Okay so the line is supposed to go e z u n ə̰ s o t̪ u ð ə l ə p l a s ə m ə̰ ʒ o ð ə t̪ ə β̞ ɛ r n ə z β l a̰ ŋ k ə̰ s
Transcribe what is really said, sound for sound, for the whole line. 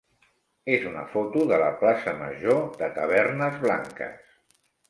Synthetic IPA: e z u n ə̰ f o t̪ u ð ə l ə p l a s ə m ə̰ ʒ o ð ə t̪ ə β̞ ɛ r n ə z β l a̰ ŋ k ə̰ s